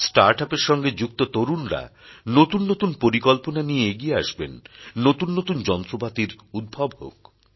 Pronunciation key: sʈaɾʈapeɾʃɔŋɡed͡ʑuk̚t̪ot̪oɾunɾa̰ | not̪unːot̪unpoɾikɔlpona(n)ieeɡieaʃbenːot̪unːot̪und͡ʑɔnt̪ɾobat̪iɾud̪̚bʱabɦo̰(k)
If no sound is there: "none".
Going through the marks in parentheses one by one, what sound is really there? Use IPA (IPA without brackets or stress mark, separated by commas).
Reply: n, k